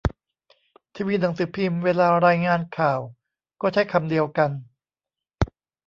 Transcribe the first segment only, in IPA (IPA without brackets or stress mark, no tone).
t̪ʰ